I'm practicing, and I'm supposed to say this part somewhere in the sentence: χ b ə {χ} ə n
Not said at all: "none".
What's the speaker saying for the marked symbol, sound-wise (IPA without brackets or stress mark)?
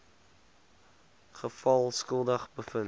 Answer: f